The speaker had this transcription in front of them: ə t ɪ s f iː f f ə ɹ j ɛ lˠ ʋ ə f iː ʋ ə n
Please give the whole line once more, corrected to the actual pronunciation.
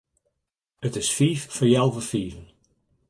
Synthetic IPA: ə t ɪ s f iː f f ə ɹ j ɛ lˠ v ə f iː v ə n